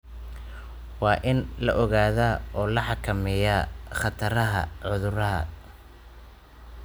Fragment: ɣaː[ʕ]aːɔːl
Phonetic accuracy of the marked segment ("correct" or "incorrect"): incorrect